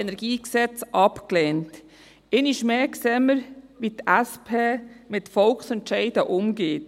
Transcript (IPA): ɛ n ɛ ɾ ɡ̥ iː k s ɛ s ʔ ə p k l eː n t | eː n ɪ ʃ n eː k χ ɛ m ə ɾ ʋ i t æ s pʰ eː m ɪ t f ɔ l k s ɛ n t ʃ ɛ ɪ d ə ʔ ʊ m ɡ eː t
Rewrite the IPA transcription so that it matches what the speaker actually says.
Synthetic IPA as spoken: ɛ n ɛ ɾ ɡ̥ iː k s ɛ t͡s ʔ ɑ p k l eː n t | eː n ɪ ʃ m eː k s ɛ m ə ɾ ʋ i t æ s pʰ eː m ɪ t f ɔ l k s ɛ n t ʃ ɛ ɪ d ə ʔ ʊ m ɡ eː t

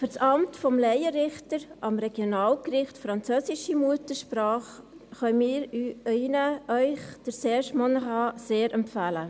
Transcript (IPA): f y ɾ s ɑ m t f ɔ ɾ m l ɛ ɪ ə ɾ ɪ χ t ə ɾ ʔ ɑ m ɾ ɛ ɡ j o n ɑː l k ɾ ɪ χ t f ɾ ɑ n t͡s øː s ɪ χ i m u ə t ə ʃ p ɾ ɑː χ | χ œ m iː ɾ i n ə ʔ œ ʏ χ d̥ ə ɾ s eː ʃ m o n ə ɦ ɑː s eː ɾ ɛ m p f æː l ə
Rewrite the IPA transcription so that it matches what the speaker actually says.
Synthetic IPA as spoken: f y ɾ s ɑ m t f ɔ m l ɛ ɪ ə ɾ ɪ χ t ə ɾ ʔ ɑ m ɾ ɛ ɡ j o n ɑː l k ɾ ɪ χ t f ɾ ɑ n t͡s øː s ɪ ʃ i m u ə t ə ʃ p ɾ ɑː χ | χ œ m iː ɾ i n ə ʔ œ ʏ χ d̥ ə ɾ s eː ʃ m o n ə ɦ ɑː s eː ɾ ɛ m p f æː l ə

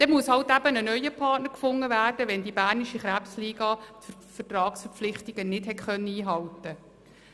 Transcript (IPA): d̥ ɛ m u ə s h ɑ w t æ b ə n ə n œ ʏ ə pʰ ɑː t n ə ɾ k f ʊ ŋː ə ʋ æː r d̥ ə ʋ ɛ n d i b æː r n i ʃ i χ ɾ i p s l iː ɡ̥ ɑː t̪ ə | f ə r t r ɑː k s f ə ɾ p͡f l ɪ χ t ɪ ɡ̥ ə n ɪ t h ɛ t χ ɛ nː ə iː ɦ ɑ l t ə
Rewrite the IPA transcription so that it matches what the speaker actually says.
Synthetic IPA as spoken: d̥ ɛ m u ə s h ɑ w t æ b ə n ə n œ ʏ ə pʰ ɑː t n ə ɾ k f ʊ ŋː ə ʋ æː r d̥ ə ʋ ɛ n d i b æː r n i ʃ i χ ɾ æ p s l iː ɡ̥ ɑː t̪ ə | f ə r t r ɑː k s f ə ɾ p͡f l ɪ χ t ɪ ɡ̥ ə n ɪ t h ɛ t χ œ nː ə iː ɦ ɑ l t ə

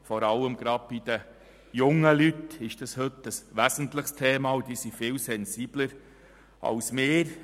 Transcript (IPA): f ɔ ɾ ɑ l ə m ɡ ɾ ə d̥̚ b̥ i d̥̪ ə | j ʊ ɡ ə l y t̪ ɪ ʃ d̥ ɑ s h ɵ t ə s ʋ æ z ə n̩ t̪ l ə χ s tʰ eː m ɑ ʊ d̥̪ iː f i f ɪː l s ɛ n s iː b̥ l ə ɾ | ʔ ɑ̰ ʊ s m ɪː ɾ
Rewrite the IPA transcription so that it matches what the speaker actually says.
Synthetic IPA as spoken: f ɔ ɾ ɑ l ə m ɡ ɾ ɑ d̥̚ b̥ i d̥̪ ə | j ʊ ŋ ə l y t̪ ɪ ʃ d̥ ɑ s h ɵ t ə s ʋ æ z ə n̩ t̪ l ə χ s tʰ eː m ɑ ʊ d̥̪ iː s i f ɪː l s ɛ n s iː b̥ l ə ɾ | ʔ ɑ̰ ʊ s m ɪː ɾ

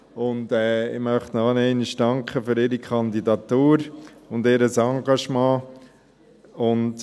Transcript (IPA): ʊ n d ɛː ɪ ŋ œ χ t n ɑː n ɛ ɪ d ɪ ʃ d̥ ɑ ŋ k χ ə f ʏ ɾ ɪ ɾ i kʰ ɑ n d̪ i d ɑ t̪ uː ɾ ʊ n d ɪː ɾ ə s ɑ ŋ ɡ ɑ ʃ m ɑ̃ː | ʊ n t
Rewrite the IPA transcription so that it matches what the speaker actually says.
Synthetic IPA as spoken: ʊ n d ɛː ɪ m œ χ t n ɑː n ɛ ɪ n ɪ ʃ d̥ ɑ ŋ k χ ə f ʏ ɾ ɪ ɾ i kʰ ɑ n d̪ i d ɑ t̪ uː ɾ ʊ n d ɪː ɾ ə s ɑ ŋ ɡ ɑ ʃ m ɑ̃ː | ʊ n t

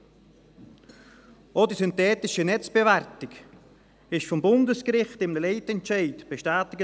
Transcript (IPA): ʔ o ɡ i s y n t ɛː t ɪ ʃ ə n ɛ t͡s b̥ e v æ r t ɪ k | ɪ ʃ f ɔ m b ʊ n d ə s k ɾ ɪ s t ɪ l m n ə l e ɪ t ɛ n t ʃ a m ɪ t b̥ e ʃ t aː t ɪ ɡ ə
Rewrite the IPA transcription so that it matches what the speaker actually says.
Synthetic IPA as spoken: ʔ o d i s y n t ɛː t ɪ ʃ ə n ɛ t͡s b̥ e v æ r t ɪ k | ɪ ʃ f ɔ m b ʊ n d ə s k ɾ ɪ χ t ɪ m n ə l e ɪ t ɛ n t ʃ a ɪ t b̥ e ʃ t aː t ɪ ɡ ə

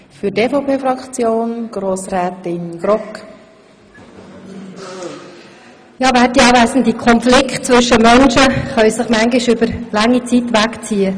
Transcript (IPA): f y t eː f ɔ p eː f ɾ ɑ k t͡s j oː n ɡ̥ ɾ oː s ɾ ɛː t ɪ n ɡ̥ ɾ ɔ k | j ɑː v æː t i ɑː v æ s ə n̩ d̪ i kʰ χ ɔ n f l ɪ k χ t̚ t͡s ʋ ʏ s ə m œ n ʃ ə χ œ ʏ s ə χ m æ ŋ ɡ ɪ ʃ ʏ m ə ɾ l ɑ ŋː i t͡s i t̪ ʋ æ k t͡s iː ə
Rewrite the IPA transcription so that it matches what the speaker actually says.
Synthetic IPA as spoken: f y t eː f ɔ p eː f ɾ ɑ k t͡s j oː n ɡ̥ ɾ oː s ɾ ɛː t ɪ n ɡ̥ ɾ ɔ k | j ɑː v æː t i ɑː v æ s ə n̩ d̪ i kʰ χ ɔ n f l ɪ k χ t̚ t͡s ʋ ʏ ʃ ə m œ n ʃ ə χ œ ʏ s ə χ m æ ŋ ɡ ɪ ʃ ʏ b ə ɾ l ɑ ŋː i t͡s i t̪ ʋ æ k t͡s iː ə

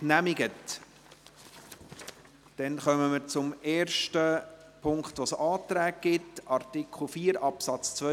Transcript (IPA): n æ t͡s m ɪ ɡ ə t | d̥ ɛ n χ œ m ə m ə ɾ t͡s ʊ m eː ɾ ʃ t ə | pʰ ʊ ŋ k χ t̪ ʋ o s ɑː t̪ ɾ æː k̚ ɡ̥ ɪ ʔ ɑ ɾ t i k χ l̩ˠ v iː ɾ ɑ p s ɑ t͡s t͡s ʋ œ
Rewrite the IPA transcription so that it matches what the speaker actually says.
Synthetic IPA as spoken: n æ m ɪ ɡ ə t | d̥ ɛ n χ œ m ə m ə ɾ t͡s ʊ m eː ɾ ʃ t ə | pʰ ʊ ŋ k χ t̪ ʋ o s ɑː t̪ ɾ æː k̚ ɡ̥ ɪ t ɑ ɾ t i k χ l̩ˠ f iː ɾ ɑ p s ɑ t͡s t͡s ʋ œ

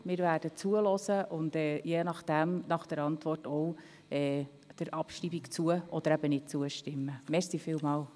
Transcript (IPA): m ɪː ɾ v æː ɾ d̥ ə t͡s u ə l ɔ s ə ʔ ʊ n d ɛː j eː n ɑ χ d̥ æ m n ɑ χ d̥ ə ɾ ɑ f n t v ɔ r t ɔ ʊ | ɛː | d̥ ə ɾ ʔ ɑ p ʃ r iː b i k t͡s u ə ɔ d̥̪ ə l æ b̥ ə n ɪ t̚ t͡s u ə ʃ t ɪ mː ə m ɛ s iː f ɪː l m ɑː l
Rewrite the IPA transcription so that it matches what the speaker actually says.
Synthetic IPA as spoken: m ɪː ɾ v æː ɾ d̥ ə t͡s u ə l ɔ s ə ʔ ʊ n d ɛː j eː n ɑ χ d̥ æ m n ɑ χ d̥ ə ɾ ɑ n t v ɔ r t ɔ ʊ | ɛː | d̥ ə ɾ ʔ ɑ p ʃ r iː b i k t͡s u ə ɔ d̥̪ ə ɾ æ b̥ ə n ɪ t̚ t͡s u ə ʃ t ɪ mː ə m ɛ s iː f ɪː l m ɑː l

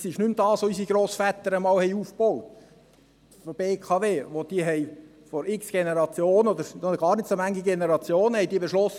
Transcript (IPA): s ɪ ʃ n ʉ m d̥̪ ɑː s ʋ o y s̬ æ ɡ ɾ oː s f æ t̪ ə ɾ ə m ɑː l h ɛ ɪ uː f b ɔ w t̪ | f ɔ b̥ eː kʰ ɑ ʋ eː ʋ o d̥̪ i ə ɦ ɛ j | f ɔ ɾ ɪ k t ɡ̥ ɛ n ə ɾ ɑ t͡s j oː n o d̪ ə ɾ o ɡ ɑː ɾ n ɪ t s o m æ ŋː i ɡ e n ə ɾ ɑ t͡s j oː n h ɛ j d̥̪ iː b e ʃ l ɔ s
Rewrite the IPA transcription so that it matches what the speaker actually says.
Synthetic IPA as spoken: s ɪ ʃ n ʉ m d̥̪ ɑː s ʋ o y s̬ i ɡ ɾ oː s f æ t̪ ə ɾ ə m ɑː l h ɛ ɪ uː f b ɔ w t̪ | f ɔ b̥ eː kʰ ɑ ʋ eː ʋ o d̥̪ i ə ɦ ɛ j | f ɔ ɾ ɪ k s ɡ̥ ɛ n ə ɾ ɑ t͡s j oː n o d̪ ə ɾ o ɡ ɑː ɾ n ɪ t s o m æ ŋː i ɡ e n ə ɾ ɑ t͡s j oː n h ɛ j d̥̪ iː b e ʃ l ɔ s

